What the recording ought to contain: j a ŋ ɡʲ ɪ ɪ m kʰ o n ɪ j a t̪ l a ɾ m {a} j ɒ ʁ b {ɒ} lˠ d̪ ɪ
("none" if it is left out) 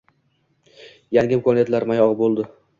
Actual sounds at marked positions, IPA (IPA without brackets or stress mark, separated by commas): a, o